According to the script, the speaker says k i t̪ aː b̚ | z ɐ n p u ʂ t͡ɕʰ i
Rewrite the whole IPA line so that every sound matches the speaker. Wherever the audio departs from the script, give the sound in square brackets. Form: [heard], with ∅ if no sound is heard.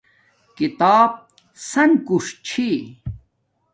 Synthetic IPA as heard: k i t̪ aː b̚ | [s] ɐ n [k] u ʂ t͡ɕʰ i